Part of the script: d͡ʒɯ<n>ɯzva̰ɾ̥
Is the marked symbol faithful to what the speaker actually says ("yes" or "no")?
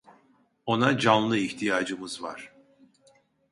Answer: no